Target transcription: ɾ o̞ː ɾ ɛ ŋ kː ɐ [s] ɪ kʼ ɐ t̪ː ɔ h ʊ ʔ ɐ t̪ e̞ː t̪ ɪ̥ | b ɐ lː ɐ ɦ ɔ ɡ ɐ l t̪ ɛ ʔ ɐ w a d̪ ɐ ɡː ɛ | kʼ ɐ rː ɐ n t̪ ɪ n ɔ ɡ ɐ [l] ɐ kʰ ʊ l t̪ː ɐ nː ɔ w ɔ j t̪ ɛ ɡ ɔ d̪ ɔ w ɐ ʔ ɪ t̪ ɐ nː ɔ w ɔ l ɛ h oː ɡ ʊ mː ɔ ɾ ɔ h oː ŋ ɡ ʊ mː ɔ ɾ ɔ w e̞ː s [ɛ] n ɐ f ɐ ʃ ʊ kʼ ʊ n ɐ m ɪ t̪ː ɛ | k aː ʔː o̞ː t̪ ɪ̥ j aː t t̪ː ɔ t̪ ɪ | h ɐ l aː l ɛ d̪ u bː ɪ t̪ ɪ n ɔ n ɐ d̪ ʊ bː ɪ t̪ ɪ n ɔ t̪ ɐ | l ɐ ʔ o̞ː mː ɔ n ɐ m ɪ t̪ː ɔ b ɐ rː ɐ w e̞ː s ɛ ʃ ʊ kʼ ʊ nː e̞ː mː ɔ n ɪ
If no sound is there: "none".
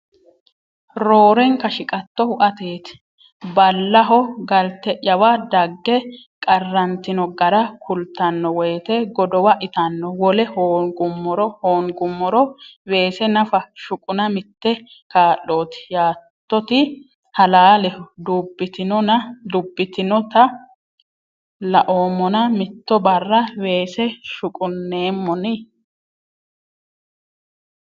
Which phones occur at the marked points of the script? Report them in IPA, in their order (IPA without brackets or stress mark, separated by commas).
ʃ, ɾ, ɛ